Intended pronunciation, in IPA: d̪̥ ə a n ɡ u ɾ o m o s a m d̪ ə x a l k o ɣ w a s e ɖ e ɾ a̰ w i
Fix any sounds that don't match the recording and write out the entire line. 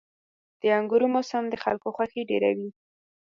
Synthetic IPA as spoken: d̪̥ ə a ŋ ɡ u ɾ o m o s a m d̪ ə x a l k o x w a x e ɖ e ɾ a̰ w i

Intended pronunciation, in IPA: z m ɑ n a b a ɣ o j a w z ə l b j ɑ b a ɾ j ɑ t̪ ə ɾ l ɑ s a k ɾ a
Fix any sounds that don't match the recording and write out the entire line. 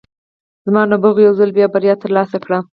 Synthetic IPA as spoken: z m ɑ n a b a ɣ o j a w z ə l b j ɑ b a ɾ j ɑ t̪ ə ɾ l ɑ s a k ɽ a

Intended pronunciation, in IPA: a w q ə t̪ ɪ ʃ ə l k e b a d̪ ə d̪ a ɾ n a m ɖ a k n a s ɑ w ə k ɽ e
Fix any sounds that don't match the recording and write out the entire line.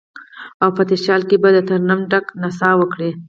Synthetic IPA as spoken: a w p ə t̪ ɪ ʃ ɑ l k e b a d̪ ə t̪ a ɾ n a m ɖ a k n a s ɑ w ə k ɽ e

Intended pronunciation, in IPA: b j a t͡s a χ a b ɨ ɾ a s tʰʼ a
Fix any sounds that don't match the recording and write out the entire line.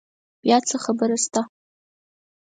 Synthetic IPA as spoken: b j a t͡sʰ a χ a b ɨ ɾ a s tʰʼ a

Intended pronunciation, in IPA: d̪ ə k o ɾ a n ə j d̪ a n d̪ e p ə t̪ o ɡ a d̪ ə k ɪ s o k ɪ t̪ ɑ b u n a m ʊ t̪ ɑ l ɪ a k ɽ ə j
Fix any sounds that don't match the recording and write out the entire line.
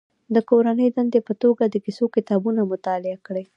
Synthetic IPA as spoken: d̪ ə k o ɾ a n ə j d̪ a n d̪ e p ə t̪ o ɡ a d̪ ə k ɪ s o k ɪ t̪ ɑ b u n a m ʊ t̪ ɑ l ɪ a k ɽ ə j

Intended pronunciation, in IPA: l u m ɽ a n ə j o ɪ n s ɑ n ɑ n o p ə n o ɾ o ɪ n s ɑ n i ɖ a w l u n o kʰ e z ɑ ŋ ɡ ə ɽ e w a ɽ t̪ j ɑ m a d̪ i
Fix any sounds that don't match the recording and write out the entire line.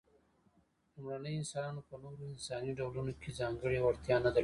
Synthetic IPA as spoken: l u m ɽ a n ə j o ɪ n s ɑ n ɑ n o p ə n o ɾ o ɪ n s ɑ n i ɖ a w l u n o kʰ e z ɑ ŋ ɡ ə ɽ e w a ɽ t̪ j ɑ n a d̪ a

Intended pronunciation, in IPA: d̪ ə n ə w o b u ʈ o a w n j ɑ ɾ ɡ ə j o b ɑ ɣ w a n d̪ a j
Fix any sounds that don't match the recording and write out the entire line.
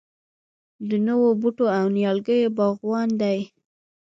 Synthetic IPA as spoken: d̪ ə n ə w o b u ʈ o a w n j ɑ l ɡ ə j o b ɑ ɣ w ɑ n d̪ a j

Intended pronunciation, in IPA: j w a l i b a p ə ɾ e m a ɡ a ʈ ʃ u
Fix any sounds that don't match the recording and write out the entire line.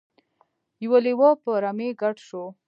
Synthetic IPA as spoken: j w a l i w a p ə ɾ a m e ɡ a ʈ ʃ o

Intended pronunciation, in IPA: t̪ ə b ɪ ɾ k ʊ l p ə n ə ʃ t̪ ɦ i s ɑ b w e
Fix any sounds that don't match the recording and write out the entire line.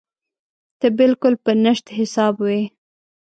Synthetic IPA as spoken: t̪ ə b ɪ l k ʊ l p ə n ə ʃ t̪ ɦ ɪ s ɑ b w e

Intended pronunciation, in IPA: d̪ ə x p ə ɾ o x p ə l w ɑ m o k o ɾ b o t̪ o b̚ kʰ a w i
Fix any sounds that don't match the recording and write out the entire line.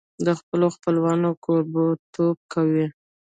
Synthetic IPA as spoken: d̪ ə x p ə l o x p ə l w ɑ n o k o ɾ b o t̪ o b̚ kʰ a w i

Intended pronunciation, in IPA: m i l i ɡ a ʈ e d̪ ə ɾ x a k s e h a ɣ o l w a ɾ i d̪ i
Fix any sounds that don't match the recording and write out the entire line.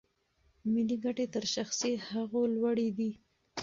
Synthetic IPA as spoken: m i l i ɡ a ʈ e t̪ ə ɾ ʃ a x s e h a ɣ o l w a ɽ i d̪ i

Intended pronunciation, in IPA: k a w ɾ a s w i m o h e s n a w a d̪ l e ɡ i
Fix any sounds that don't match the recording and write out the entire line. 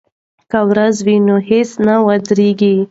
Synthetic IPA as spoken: k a w ɾ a z w i n o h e s n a w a d̪ ɾ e ɡ i

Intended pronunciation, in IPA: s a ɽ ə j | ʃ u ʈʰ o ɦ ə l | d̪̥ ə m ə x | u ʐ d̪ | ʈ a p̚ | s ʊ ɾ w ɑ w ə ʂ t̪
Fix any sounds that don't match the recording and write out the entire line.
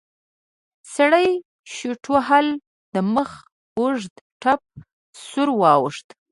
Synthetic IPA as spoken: s a ɽ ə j | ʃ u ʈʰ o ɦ a l | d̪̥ ə m ə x | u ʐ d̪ | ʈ a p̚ | s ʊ ɾ w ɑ w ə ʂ t̪

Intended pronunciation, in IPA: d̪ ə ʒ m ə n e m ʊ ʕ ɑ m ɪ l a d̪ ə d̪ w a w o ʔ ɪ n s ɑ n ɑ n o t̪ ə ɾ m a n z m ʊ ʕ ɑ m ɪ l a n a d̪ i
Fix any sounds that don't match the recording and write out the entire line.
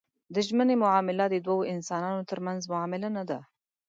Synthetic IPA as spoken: d̪ ə ʒ m ə n e m ʊ ʕ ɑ m ɪ l a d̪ ə d̪ w a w o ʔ ɪ n s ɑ n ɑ n o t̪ ə ɾ m a n z m ʊ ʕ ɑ m ɪ l a n a d̪ a

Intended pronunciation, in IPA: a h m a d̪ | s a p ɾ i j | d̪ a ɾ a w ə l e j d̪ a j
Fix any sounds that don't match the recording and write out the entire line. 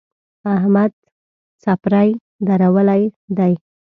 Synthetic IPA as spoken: a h m a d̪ | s a p ɾ a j | d̪ a ɾ a w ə l a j d̪ a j

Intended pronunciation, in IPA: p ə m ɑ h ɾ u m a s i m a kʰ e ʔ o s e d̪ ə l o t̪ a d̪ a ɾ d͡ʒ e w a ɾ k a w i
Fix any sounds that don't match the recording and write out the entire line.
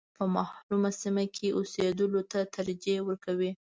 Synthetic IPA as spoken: p ə m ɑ h ɾ u m a s i m a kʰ e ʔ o s e d̪ ə l o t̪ a t̪ a ɾ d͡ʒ e w ə ɾ k a w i

